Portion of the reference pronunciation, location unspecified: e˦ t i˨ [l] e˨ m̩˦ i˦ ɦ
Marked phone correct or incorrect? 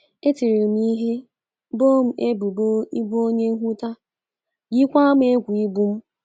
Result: incorrect: ɾ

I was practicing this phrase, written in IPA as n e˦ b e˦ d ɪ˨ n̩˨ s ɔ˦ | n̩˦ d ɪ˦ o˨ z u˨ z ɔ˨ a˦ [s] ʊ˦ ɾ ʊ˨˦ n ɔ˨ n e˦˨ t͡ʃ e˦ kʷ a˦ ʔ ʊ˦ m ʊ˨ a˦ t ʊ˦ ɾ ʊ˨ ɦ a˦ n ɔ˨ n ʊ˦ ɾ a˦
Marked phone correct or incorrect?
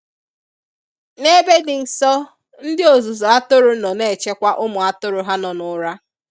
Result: incorrect: t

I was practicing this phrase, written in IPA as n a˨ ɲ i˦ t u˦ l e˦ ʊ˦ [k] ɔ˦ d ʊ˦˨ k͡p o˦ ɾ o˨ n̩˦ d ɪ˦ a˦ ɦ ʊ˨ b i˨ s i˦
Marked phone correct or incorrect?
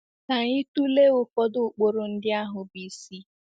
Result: correct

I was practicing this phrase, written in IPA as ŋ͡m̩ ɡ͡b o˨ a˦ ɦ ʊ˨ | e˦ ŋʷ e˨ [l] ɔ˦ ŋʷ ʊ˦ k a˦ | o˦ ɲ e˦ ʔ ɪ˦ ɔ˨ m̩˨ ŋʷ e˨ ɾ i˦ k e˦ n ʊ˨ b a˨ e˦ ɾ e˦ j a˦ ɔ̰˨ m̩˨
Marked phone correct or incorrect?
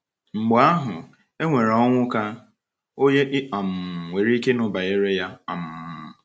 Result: incorrect: ɾ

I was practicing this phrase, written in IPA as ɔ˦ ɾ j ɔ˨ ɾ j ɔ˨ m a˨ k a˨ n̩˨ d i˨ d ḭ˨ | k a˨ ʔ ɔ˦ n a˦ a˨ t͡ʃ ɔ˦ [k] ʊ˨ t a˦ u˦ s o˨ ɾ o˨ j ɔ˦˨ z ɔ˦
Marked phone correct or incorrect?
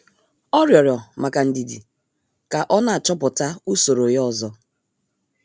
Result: incorrect: p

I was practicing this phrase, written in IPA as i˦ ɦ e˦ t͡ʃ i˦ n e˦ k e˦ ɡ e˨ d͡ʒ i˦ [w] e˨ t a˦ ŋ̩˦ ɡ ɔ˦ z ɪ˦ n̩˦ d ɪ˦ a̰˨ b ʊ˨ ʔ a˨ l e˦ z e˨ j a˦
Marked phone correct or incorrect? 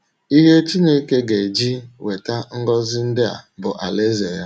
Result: correct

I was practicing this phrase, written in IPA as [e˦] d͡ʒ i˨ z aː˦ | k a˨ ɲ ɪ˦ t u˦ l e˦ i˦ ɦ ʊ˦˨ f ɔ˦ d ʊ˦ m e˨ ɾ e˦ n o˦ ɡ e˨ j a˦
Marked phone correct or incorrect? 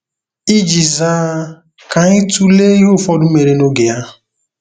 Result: incorrect: i˦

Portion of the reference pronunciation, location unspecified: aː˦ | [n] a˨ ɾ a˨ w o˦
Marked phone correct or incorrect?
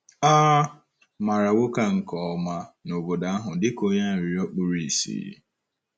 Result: incorrect: m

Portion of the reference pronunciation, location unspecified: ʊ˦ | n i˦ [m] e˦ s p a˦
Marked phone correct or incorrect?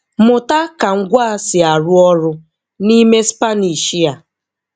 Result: correct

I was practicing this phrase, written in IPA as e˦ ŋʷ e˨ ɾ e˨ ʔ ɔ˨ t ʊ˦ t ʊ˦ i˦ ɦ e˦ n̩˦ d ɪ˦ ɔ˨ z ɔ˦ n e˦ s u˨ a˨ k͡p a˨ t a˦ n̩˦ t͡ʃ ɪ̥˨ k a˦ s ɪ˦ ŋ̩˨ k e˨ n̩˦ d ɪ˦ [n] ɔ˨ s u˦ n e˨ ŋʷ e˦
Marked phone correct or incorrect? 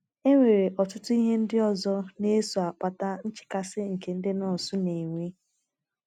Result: correct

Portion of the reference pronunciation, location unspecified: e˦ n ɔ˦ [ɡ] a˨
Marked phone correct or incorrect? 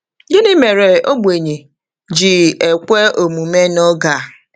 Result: correct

